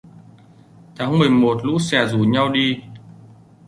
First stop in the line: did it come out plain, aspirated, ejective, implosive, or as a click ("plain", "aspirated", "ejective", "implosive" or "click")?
aspirated